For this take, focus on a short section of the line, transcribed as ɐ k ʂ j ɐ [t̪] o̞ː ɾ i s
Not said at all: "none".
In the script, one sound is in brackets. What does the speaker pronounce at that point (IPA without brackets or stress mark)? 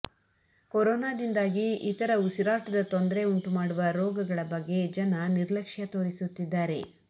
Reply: t̪